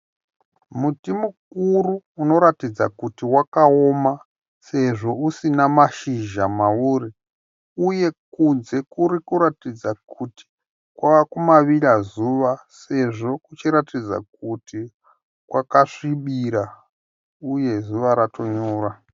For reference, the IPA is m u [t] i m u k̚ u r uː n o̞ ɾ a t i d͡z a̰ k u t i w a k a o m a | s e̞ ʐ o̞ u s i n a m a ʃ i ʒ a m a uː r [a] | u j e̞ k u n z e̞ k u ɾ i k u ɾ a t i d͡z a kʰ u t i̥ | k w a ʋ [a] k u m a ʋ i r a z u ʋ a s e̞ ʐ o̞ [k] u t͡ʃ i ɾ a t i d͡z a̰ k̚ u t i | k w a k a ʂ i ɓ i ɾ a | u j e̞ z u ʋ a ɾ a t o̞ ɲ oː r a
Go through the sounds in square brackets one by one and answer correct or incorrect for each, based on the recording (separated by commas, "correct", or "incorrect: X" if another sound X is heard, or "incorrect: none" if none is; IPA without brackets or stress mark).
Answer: correct, incorrect: i, correct, correct